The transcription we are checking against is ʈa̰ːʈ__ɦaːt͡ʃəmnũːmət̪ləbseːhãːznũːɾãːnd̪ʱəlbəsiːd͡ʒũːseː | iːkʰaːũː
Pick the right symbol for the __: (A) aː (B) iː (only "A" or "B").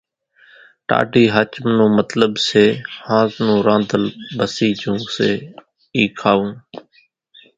B